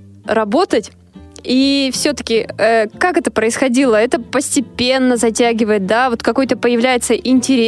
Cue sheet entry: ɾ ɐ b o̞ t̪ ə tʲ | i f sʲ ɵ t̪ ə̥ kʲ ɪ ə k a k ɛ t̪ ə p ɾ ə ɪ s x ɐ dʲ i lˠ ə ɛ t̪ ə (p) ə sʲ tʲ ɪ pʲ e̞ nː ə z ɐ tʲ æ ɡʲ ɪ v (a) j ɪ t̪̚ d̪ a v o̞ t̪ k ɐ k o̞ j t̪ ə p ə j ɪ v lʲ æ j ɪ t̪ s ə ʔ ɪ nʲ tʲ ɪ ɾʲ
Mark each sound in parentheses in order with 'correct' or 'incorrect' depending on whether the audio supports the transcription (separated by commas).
correct, incorrect